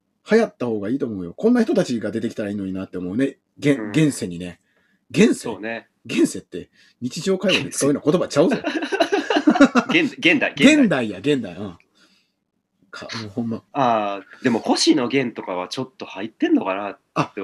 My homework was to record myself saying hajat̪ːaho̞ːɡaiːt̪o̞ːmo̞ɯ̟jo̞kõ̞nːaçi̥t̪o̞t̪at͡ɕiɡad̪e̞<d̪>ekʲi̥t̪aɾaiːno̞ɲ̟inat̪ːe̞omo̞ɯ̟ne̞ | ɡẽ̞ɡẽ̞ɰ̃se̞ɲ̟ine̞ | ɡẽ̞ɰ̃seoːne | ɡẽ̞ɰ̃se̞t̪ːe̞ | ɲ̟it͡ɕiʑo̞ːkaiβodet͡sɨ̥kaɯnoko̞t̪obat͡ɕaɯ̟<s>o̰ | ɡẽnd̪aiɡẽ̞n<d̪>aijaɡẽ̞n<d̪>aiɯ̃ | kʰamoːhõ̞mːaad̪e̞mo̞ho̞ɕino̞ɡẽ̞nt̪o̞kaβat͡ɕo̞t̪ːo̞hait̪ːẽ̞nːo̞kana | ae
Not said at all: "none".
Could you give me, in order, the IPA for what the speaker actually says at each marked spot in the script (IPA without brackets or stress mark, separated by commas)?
t̪, z, d̪, d̪